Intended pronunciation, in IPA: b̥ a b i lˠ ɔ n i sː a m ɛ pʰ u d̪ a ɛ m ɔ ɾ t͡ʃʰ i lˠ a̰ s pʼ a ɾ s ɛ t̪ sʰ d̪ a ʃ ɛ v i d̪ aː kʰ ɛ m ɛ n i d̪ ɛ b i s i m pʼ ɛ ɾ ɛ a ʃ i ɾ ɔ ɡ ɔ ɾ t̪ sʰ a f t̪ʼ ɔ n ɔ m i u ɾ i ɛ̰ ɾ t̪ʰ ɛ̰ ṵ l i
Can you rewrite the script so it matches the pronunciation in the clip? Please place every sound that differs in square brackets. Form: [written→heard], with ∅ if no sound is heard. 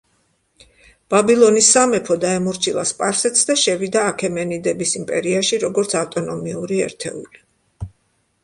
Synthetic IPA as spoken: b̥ a b i lˠ ɔ n i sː a m ɛ pʰ [u→ɔ] d̪ a ɛ m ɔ ɾ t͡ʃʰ i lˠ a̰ s pʼ a ɾ s ɛ t̪ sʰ d̪ a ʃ ɛ v i d̪ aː kʰ ɛ m ɛ n i d̪ ɛ b i s i m pʼ ɛ ɾ [ɛ→i] a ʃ i ɾ ɔ ɡ ɔ ɾ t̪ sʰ a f t̪ʼ ɔ n ɔ m i u ɾ i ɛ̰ ɾ t̪ʰ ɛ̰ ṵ l i

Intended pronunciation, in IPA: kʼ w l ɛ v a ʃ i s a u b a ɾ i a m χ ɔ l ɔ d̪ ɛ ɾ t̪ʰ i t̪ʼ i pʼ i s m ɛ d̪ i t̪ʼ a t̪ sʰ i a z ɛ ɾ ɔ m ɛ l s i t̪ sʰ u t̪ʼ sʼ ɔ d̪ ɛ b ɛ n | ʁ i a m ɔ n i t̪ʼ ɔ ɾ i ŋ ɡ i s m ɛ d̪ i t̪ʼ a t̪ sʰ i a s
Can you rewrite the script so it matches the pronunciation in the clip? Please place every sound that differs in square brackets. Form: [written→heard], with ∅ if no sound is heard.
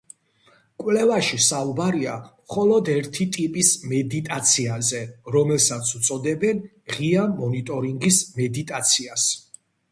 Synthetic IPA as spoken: kʼ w l ɛ v a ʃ i s a u b a ɾ i a m χ ɔ l ɔ d̪ ɛ ɾ t̪ʰ i t̪ʼ i pʼ i s m ɛ d̪ i t̪ʼ a t̪ sʰ i a z ɛ ɾ ɔ m ɛ l s [i→a] t̪ sʰ u [t̪ʼ→t̪] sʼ ɔ d̪ ɛ b ɛ n | ʁ i a m ɔ n i t̪ʼ ɔ ɾ i ŋ ɡ i s m ɛ d̪ i t̪ʼ a t̪ sʰ i a s

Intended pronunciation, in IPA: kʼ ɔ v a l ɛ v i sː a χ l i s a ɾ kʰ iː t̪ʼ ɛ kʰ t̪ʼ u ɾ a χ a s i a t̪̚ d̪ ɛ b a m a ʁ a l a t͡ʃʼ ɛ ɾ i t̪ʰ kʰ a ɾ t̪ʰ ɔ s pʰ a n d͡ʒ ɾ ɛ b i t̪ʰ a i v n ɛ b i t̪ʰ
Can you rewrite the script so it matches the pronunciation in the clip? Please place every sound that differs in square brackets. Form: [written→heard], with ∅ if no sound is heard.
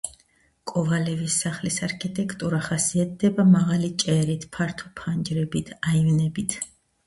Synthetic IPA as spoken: kʼ ɔ v a l ɛ v i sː a χ l i s a ɾ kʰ [iː→i] t̪ʼ ɛ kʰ t̪ʼ u ɾ a χ a s i a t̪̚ d̪ ɛ b a m a ʁ a l [a→i] t͡ʃʼ ɛ ɾ i t̪ʰ [kʰ→pʰ] a ɾ t̪ʰ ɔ [s→∅] pʰ a n d͡ʒ ɾ ɛ b i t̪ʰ a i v n ɛ b i t̪ʰ

